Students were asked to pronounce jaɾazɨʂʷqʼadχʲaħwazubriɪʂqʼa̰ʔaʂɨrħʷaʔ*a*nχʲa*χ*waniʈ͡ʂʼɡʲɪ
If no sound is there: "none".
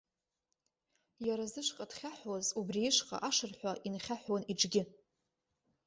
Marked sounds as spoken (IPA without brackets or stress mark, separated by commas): i, ħ